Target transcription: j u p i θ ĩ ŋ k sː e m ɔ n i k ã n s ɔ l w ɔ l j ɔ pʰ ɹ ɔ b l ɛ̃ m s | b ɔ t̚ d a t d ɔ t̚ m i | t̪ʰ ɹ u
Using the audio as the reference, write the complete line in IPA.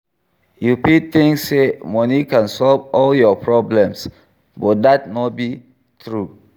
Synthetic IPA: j u p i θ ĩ ŋ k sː e m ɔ n i k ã n s ɔ l v ɔ l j ɔ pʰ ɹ ɔ b l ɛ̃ m s | b ɔ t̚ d a t n ɔ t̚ b i | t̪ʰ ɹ u